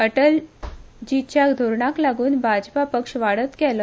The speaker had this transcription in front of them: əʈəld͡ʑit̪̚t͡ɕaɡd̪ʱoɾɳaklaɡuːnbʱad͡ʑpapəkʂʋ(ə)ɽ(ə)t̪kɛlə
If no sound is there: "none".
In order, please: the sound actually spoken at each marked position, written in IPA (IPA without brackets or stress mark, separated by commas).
a, ə